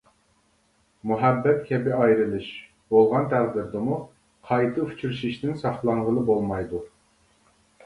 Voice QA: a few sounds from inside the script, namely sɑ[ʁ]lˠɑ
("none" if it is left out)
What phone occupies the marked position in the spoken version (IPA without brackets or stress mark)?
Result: χ